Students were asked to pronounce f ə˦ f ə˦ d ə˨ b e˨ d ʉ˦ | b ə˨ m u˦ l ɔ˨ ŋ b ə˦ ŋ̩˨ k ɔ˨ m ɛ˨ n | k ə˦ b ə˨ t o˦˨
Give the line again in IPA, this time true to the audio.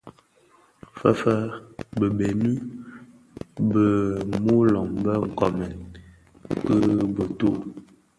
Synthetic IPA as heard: f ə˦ f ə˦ b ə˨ b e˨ n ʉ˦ | b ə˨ m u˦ l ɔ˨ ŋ b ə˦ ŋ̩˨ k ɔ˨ m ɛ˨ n | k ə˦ b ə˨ t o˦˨